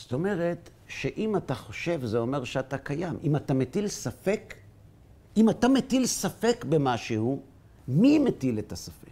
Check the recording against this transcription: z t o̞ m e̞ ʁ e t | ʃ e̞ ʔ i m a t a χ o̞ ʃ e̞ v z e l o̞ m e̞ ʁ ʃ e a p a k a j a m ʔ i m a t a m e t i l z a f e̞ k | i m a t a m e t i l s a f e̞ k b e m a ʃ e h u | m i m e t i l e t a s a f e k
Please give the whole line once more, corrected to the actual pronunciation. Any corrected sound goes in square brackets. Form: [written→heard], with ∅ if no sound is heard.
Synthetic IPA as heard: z t o̞ m e̞ ʁ e t | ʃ e̞ ʔ i m a t a χ o̞ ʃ e̞ v z e [l→∅] o̞ m e̞ ʁ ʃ e a [p→t] a k a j a m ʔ i m a t a m e t i l [z→s] a f e̞ k | i m a t a m e t i l s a f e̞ k b e m a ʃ e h u | m i m e t i l e t a s a f e k